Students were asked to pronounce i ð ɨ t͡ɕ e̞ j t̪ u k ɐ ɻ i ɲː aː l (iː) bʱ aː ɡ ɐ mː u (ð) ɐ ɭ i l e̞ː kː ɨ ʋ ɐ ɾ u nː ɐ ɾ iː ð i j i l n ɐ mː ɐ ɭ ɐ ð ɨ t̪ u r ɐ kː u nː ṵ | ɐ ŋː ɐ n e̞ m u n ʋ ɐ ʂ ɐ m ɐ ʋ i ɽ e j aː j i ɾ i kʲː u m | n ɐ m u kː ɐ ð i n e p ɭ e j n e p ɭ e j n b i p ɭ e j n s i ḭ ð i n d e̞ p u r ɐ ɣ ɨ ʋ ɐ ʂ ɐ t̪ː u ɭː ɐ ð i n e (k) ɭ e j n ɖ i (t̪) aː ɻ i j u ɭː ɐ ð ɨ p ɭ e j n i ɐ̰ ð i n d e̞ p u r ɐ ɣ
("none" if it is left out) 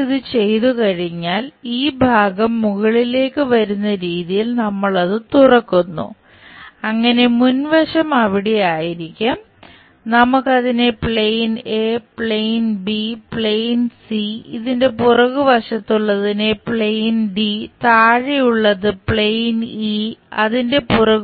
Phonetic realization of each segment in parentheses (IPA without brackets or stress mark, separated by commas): iː, ɣ, p, t̪